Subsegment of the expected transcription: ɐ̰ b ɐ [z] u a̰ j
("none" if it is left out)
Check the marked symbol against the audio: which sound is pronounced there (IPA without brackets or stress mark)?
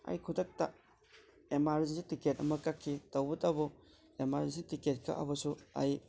s